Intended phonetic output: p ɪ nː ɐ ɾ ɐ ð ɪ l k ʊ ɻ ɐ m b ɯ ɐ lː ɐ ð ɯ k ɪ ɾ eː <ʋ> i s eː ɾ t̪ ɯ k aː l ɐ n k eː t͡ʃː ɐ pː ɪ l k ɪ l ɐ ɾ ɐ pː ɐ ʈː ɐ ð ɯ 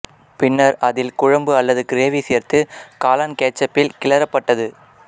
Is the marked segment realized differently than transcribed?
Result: no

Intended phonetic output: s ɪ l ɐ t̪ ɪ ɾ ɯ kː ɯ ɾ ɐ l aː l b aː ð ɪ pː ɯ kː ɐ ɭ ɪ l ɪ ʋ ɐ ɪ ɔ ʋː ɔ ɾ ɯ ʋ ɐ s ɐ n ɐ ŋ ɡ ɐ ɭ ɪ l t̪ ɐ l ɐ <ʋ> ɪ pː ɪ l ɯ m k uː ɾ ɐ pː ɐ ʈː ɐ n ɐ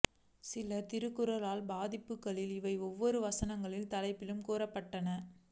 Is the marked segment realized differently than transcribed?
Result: yes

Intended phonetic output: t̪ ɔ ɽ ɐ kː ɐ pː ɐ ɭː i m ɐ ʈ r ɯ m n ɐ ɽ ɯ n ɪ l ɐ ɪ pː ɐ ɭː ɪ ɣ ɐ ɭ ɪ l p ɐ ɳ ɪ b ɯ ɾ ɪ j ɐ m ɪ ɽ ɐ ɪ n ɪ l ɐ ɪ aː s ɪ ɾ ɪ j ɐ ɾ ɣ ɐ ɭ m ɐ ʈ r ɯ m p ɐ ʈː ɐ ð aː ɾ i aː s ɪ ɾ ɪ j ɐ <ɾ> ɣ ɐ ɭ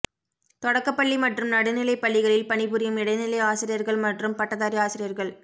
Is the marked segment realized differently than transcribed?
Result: no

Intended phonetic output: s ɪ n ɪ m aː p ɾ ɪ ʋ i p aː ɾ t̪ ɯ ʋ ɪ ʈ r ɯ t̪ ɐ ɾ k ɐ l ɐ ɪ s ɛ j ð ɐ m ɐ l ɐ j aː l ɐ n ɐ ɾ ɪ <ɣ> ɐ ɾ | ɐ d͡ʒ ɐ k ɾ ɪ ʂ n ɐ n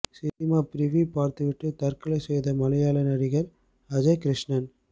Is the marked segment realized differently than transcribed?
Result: no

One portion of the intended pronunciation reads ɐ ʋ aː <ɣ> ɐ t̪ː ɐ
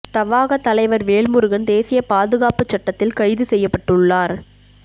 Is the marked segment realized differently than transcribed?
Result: no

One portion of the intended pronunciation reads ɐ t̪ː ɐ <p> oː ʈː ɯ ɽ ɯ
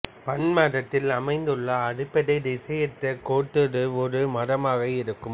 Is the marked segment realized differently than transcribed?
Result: yes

